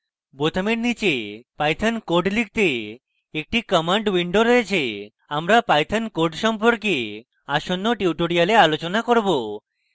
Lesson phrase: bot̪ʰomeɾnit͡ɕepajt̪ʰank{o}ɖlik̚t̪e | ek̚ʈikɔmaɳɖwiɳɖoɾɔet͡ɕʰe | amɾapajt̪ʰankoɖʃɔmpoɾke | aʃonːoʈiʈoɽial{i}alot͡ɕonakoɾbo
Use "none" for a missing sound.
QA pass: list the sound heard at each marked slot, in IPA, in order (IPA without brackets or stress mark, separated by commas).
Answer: o, e